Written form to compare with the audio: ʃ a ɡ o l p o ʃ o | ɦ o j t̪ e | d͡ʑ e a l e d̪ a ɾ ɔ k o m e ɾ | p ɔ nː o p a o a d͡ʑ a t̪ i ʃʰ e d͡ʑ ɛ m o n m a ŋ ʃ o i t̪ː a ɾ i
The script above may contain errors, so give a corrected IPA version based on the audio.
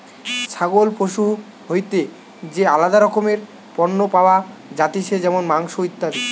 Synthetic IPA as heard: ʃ a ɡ o l p o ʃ u | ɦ o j t̪ e | d͡ʑ e a l a d̪ a ɾ ɔ k o m e ɾ | p ɔ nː o p a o a d͡ʑ a t̪ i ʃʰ e d͡ʑ ɛ m o n m a ŋ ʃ o i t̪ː a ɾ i